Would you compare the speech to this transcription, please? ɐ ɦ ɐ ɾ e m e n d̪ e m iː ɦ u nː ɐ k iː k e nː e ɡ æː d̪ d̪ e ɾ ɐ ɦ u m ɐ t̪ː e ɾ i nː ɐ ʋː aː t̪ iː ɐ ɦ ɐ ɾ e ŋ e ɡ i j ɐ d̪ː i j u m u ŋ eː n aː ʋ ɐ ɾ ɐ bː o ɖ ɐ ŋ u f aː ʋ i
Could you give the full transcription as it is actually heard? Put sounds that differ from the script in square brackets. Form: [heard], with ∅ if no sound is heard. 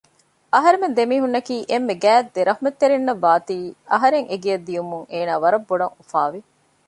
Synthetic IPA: ɐ ɦ ɐ ɾ e m e n d̪ e m iː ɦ u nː ɐ k iː [ʔ] e [mː] e ɡ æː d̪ d̪ e ɾ ɐ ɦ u m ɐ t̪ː e ɾ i nː ɐ ʋː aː t̪ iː ɐ ɦ ɐ ɾ e ŋ e ɡ i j ɐ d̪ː i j u m u ŋ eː n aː ʋ ɐ ɾ ɐ bː o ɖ ɐ ŋ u f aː ʋ i